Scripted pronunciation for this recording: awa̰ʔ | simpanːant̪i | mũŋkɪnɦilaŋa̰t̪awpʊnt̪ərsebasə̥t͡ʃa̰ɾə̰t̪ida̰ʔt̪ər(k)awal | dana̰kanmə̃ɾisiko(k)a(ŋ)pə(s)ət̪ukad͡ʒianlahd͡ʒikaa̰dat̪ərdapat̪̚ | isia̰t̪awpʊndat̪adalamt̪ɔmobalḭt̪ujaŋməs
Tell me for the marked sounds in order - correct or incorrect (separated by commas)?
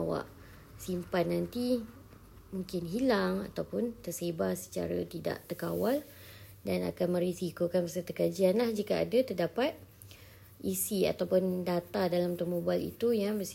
correct, correct, incorrect, correct